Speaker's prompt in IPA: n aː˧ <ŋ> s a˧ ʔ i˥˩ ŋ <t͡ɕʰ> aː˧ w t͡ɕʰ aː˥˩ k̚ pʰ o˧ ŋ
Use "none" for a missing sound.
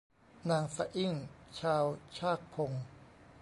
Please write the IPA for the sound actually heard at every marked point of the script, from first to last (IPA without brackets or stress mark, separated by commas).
ŋ, t͡ɕʰ